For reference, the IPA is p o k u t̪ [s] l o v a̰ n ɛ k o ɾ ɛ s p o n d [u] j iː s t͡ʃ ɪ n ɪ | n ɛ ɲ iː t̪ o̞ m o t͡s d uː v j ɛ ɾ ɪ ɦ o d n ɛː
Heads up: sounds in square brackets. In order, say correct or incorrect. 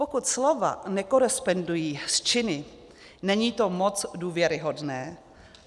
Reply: correct, correct

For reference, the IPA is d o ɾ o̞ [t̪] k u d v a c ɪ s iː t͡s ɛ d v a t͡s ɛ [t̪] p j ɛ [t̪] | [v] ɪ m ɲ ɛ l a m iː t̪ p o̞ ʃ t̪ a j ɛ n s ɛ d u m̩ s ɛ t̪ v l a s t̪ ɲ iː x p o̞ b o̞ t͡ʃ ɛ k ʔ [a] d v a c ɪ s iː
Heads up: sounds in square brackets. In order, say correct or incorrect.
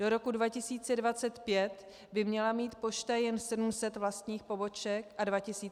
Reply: incorrect: none, correct, correct, incorrect: b, correct

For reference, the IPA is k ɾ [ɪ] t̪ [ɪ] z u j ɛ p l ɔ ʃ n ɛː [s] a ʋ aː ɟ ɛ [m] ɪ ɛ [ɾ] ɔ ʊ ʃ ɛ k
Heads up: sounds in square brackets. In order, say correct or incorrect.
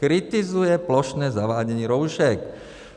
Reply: incorrect: i, incorrect: i, incorrect: z, incorrect: ɲ, correct

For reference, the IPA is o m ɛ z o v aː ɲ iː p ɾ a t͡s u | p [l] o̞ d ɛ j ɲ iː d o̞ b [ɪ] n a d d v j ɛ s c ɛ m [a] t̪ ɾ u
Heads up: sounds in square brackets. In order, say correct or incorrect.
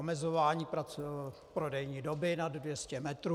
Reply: incorrect: ɾ, correct, incorrect: ɛ

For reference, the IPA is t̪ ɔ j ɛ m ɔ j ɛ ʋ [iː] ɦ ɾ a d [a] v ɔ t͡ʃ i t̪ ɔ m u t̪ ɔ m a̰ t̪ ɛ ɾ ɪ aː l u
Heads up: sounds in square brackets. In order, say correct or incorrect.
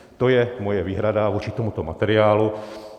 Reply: correct, correct

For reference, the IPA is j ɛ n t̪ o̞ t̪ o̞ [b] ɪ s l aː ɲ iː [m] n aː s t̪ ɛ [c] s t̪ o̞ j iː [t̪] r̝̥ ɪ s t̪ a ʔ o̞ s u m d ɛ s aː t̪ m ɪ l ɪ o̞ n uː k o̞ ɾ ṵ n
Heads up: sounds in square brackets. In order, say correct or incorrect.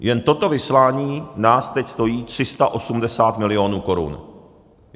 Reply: incorrect: v, incorrect: none, correct, correct

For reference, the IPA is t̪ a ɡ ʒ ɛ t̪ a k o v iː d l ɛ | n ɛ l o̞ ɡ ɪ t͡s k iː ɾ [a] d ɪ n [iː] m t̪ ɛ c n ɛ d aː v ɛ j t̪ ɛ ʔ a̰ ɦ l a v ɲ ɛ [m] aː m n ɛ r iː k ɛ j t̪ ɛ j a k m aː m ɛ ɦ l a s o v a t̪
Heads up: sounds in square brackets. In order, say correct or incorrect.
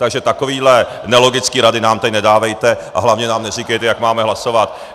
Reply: correct, incorrect: aː, incorrect: n

